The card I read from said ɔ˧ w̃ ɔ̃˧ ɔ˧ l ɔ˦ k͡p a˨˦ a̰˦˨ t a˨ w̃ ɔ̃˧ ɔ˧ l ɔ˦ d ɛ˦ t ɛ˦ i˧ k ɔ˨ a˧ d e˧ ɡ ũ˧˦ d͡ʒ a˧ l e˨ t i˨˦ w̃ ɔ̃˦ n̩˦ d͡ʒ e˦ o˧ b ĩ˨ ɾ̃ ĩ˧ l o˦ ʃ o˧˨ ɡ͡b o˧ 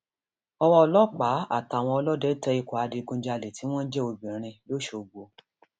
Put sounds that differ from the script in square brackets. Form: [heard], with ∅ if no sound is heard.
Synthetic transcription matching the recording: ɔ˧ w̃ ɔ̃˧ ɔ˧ l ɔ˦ k͡p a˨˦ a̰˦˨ t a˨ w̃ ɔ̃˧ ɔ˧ l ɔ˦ d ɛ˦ t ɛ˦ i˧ k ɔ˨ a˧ d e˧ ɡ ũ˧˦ d͡ʒ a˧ l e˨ t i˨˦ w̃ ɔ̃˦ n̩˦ d͡ʒ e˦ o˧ b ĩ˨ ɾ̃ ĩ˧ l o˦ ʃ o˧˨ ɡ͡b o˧